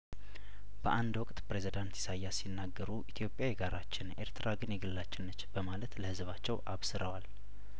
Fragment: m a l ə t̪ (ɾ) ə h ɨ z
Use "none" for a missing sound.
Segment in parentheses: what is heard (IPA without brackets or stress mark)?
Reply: l